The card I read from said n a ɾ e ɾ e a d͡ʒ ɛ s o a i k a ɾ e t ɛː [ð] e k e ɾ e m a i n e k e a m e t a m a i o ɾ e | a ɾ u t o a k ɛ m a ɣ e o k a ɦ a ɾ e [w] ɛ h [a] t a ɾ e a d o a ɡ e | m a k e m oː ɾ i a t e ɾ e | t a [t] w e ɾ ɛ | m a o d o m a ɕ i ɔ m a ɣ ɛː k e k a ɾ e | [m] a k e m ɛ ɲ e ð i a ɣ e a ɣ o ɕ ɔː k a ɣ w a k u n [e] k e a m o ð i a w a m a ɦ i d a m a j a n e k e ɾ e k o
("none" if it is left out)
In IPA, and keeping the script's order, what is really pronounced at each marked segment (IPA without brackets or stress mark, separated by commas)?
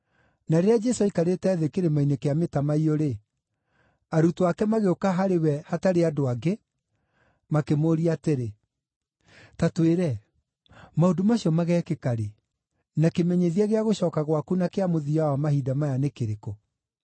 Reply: ð, w, a, t, n, a